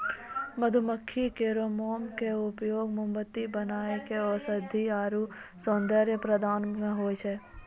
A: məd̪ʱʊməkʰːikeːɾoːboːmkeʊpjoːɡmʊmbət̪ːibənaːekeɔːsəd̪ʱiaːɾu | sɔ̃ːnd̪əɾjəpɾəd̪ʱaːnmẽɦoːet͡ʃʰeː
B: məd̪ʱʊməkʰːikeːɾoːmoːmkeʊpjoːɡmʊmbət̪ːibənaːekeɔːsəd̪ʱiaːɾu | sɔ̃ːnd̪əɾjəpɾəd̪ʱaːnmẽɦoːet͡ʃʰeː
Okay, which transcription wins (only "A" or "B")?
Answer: B